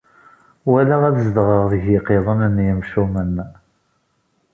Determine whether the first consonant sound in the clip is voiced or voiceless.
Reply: voiced